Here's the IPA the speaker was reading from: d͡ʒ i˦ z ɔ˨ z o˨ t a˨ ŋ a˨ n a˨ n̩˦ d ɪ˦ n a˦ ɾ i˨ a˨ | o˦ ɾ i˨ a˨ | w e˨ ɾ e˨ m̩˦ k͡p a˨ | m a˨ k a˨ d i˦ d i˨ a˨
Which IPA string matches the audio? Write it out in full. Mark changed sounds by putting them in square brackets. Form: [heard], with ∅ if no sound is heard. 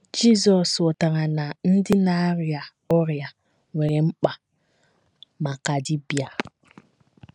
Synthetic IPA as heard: d͡ʒ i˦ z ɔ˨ [s] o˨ t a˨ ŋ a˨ n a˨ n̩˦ d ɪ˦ n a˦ ɾ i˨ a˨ | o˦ ɾ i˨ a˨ | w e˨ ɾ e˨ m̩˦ k͡p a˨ | m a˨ k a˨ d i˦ [b] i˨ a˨